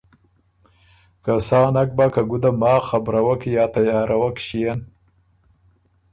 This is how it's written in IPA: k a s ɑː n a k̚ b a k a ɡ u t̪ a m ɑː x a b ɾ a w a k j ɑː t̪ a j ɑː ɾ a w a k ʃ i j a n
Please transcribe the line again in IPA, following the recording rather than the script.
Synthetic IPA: k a s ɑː n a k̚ b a k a ɡ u d̪ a m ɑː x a b ɾ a w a k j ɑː t̪ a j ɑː ɾ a w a k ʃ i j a n